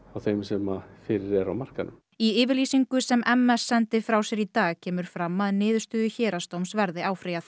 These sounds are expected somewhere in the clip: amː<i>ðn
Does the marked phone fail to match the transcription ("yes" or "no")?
yes